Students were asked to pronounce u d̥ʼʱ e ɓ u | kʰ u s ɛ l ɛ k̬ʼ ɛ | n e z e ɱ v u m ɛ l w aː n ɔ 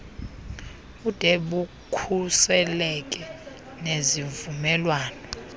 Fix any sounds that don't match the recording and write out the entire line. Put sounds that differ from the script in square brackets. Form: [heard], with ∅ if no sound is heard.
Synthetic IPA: u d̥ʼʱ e ɓ u | kʰ u s ɛ l ɛ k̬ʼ ɛ | n e z [i] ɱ v u m ɛ l w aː n ɔ